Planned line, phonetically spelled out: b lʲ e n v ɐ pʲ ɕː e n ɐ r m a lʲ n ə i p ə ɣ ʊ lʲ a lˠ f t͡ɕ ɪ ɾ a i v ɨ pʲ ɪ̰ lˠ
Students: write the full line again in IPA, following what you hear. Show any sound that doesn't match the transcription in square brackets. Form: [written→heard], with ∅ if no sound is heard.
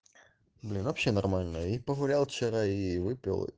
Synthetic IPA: b lʲ [e→i] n v ɐ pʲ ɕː e n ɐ r m a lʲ n ə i p ə ɣ ʊ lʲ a lˠ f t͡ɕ ɪ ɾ a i v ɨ pʲ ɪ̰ lˠ